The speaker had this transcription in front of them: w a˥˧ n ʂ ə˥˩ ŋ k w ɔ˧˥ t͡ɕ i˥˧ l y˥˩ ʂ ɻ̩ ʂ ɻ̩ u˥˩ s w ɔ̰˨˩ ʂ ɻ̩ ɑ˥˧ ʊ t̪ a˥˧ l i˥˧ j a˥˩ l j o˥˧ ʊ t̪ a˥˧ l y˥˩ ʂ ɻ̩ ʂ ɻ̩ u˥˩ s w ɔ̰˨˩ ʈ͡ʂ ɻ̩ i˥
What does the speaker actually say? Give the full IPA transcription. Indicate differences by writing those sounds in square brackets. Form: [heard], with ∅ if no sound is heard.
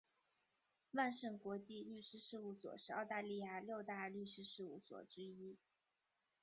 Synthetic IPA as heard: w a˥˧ n ʂ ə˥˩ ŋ k w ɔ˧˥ t͡ɕ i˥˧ l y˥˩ ʂ ɻ̩ ʂ ɻ̩ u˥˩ s w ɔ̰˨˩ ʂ ɻ̩ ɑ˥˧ ʊ t̪ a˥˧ l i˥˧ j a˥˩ l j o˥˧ ʊ t̪ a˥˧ l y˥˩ ʂ ɻ̩ ʂ ɻ̩ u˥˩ s w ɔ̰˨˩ ʈ͡ʂ ɻ̩ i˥